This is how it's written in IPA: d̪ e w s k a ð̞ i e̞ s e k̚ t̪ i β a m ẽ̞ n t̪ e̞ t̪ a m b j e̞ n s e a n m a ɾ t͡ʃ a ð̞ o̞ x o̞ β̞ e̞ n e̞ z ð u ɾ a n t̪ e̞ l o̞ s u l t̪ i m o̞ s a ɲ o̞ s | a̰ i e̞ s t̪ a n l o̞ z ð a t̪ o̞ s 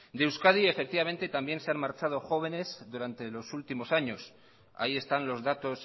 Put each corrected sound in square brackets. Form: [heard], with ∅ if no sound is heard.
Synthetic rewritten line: d̪ e w s k a ð̞ i e̞ [f] e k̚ t̪ i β a m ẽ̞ n t̪ e̞ t̪ a m b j e̞ n s e a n m a ɾ t͡ʃ a ð̞ o̞ x o̞ β̞ e̞ n e̞ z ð u ɾ a n t̪ e̞ l o̞ s u l t̪ i m o̞ s a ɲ o̞ s | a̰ i e̞ s t̪ a n l o̞ z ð a t̪ o̞ s